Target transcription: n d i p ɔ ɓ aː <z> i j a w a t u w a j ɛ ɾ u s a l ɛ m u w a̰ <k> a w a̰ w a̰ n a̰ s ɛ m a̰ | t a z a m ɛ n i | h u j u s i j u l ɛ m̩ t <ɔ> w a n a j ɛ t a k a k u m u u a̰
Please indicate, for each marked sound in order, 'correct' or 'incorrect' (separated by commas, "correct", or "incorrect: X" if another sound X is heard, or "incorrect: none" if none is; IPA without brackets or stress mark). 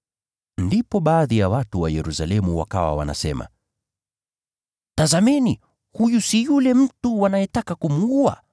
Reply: incorrect: ð, correct, incorrect: u